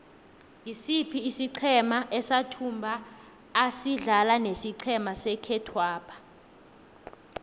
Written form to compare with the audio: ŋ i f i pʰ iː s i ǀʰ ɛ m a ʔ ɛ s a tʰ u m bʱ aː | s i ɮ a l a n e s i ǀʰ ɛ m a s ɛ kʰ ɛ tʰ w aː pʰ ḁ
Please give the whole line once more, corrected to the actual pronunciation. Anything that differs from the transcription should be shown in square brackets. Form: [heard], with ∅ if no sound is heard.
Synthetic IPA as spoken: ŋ i [s] i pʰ iː s i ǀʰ ɛ m a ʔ ɛ s a tʰ u m bʱ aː | s i ɮ a l a n e s i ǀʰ ɛ m a s ɛ kʰ ɛ tʰ w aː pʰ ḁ